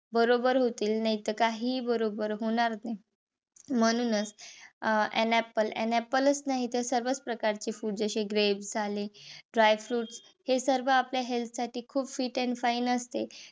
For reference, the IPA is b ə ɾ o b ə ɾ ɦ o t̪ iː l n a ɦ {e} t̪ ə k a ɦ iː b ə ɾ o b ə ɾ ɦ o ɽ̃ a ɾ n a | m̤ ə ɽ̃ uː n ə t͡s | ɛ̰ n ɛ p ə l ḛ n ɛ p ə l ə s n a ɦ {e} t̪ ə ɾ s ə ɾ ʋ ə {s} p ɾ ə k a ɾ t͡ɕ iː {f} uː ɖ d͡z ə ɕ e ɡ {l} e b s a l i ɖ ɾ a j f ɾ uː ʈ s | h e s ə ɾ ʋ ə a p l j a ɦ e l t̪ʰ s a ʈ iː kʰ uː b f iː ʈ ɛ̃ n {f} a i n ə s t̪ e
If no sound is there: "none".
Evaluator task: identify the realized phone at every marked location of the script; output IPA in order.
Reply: i, i, t͡s, f, ɾ, f

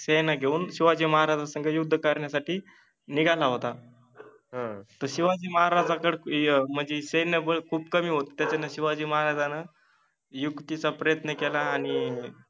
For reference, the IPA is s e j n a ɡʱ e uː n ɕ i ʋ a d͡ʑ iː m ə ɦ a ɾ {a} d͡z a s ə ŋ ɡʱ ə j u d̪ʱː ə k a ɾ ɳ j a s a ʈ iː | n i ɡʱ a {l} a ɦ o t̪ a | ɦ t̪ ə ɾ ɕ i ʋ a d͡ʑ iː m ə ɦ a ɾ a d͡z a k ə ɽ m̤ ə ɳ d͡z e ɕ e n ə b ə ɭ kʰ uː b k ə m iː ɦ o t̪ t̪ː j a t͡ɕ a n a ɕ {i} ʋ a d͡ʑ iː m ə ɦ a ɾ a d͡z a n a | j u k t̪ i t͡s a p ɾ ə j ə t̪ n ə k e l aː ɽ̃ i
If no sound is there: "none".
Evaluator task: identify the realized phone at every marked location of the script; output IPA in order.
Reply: a, l, i

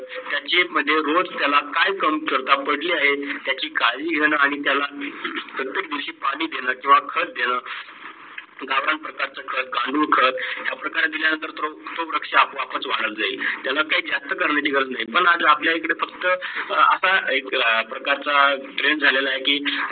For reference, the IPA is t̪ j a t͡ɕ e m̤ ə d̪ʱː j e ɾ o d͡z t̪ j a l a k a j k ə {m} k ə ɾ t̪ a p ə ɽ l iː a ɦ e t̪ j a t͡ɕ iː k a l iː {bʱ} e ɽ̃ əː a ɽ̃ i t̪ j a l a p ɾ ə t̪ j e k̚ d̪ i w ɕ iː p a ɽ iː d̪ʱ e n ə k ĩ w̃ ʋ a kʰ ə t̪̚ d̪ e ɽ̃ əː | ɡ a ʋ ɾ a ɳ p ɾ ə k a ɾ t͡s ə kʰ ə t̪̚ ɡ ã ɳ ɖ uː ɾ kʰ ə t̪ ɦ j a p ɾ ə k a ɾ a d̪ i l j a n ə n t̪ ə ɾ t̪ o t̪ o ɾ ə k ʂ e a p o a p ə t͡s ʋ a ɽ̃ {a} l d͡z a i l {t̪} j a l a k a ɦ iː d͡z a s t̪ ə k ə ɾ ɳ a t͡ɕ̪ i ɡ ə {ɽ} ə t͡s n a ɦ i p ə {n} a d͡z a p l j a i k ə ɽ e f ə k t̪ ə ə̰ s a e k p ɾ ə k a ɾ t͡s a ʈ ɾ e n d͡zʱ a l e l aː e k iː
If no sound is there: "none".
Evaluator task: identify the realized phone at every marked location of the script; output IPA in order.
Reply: m, ɡʱ, ə, t̪, ɾ, ɳ

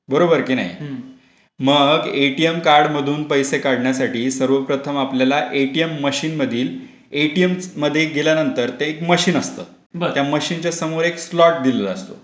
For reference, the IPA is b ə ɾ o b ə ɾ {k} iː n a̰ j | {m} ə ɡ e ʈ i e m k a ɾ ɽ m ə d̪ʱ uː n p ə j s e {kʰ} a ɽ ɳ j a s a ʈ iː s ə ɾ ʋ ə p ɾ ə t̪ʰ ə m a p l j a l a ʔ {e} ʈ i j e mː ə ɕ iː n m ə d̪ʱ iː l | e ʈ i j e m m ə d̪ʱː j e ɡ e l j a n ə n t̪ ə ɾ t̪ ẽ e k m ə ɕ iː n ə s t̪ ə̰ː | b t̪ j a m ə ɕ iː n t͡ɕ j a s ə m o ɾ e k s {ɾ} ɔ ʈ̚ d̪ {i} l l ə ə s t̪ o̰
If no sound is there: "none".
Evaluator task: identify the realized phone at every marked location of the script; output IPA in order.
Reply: k, m, k, e, l, i

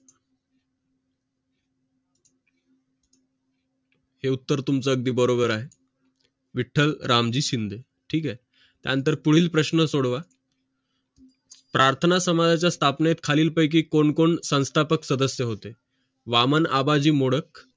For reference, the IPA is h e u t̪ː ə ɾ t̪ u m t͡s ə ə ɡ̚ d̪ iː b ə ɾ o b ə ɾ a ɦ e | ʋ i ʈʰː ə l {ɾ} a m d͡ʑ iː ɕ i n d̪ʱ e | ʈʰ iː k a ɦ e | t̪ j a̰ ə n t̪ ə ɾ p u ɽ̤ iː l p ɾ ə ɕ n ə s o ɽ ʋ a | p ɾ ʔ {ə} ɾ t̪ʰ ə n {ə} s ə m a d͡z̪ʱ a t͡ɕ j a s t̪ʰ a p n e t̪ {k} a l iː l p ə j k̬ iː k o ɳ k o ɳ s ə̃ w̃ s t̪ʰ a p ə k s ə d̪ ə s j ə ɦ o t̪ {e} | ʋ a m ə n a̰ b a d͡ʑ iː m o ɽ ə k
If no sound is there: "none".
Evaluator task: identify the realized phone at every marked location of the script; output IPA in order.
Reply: ɾ, a, a, kʰ, e

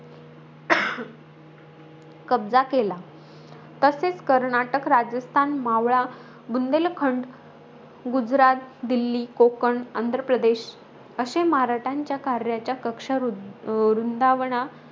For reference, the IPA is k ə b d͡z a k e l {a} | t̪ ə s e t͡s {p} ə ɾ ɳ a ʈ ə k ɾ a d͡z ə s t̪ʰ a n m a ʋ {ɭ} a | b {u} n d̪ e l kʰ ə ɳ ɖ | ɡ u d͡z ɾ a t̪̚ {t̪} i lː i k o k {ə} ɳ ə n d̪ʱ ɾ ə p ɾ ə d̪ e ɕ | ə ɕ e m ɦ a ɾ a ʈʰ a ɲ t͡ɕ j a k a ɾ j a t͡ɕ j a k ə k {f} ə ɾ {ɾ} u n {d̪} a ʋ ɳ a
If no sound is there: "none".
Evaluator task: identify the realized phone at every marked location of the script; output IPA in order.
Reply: a, k, ɭ, u, d̪, ə, ʂ, ɾ, d̪

